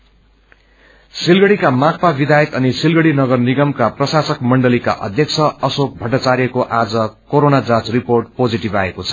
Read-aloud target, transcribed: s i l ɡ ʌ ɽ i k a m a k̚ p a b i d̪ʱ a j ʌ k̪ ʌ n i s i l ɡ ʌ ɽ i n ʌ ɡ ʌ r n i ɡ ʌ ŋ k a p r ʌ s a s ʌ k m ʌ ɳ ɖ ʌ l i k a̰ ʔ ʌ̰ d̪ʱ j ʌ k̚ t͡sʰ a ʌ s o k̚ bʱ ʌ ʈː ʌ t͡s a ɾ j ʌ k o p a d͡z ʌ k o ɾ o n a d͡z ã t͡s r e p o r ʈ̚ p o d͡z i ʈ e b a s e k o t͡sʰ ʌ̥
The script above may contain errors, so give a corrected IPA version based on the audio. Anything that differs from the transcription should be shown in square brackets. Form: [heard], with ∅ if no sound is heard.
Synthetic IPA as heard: s i l ɡ ʌ ɽ i k a m a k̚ p a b i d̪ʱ a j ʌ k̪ ʌ n i s i l ɡ ʌ ɽ i n ʌ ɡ ʌ r n i ɡ ʌ [m] k a p r ʌ s a s ʌ k m ʌ ɳ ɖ ʌ l i k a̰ ʔ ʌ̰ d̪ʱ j ʌ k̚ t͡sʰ [ʌ] ʌ s o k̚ bʱ ʌ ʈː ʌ t͡s a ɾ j ʌ k o [ʔ] a d͡z ʌ k o ɾ o n a d͡z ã t͡s r [i] p o r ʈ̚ p o d͡z i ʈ [i] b a [∅] e k o t͡sʰ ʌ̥